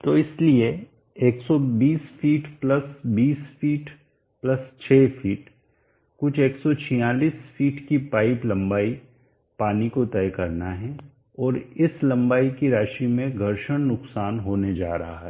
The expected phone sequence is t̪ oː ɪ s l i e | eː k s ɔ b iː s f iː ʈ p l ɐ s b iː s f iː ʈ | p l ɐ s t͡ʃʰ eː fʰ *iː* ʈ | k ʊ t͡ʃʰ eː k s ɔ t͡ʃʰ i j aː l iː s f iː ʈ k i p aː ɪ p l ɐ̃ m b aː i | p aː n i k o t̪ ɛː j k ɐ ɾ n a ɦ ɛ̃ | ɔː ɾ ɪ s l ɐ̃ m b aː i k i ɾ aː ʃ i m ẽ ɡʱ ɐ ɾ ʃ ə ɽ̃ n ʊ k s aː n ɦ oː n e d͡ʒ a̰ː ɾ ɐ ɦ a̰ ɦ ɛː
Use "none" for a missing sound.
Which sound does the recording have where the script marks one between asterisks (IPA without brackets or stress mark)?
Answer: iː